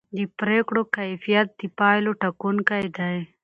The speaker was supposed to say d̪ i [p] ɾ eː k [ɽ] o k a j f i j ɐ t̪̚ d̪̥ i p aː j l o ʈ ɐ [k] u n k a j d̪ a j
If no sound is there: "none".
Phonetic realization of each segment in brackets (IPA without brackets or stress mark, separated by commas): p, ɽ, k